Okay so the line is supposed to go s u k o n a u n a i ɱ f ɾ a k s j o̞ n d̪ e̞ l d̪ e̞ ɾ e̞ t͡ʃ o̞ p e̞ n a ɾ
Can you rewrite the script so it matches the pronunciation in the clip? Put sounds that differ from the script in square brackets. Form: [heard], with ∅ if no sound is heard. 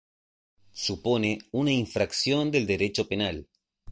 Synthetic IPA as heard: s u [p] o n [e] u n a i ɱ f ɾ a k s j o̞ n d̪ e̞ l d̪ e̞ ɾ e̞ t͡ʃ o̞ p e̞ n a [l]